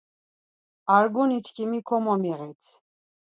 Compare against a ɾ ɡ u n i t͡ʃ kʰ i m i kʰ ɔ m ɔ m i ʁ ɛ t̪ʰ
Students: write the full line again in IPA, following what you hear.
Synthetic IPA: a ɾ ɡ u n i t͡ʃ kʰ i m i kʰ ɔ m ɔ m i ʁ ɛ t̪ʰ